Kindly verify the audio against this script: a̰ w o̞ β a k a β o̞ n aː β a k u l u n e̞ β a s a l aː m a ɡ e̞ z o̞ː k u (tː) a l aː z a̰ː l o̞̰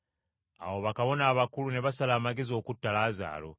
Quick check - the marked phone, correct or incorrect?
correct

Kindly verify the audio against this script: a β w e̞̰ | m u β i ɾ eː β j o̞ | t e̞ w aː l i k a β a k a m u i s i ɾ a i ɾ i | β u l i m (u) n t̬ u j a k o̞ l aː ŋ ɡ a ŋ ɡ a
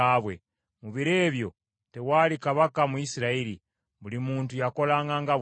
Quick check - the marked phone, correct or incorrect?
incorrect: uː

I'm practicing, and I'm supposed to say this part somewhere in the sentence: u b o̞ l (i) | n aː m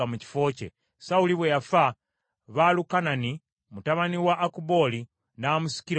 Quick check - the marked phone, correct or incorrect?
correct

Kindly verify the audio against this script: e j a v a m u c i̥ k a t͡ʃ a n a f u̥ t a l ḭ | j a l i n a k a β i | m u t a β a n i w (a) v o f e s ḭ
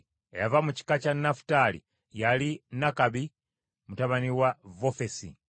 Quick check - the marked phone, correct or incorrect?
correct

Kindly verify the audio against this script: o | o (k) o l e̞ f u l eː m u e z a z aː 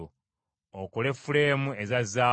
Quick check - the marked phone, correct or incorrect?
correct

